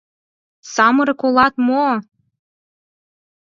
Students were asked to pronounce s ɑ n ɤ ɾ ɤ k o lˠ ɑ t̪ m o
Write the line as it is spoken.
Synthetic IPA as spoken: s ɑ m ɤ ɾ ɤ k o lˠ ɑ t̪ m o